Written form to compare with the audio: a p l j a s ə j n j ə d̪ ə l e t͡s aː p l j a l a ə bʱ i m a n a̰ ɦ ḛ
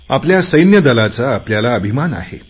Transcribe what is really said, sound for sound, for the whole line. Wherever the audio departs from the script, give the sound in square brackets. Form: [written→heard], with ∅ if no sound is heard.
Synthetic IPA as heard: a p l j a s ə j n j ə d̪ ə l [e→a] t͡s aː p l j a l a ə bʱ i m a n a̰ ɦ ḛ